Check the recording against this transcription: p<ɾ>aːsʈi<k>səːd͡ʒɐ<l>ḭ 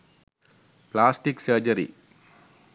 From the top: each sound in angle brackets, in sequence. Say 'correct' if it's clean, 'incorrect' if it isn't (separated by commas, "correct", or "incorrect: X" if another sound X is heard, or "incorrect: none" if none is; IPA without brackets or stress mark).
incorrect: l, correct, incorrect: ɾ